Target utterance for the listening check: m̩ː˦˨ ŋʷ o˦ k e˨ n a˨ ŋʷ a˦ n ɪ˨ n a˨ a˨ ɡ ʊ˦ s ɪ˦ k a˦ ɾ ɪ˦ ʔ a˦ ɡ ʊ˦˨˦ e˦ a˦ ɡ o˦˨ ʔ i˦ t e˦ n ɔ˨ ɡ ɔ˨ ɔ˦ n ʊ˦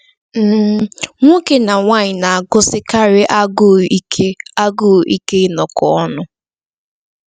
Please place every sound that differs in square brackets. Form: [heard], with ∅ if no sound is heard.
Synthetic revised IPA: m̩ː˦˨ ŋʷ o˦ k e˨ n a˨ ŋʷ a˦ [ɲ] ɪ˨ n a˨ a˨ ɡ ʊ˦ s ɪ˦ k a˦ ɾ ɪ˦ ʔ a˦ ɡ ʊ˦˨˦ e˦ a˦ ɡ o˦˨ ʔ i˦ [k] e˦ n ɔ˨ [k] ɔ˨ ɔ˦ n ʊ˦